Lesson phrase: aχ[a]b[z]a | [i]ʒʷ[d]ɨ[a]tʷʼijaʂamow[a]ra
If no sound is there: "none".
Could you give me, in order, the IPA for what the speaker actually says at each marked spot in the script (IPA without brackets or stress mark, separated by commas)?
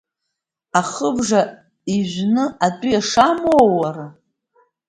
ə, ʐ, i, n, a, a